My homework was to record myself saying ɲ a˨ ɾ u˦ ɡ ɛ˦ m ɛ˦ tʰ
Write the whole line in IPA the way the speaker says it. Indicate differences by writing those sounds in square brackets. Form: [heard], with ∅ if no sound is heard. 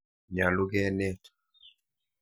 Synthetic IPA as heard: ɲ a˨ [l] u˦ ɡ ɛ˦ [n] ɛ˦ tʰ